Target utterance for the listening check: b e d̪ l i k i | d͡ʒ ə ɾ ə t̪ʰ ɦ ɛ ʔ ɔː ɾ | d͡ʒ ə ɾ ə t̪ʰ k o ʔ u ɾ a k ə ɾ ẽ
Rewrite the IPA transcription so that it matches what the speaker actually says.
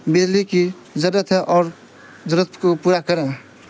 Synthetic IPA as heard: b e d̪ l i k i | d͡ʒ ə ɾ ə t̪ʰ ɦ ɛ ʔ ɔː ɾ | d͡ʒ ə ɾ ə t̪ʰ k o p u ɾ a k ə ɾ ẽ